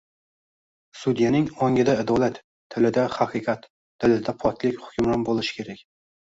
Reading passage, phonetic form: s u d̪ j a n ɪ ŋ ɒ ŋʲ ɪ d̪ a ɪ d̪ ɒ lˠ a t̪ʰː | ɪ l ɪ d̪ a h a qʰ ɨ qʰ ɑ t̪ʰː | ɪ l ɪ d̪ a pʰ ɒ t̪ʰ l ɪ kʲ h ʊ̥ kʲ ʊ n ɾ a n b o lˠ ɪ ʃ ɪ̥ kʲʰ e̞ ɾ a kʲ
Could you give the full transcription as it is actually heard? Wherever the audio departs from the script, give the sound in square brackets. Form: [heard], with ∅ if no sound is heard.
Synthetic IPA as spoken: s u d̪ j a n ɪ ŋ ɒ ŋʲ ɪ d̪ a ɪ d̪ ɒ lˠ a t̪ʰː | ɪ l ɪ d̪ a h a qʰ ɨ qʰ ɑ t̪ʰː | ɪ l ɪ d̪ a pʰ ɒ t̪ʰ l ɪ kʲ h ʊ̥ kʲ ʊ [m] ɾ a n b o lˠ ɪ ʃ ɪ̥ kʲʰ e̞ ɾ a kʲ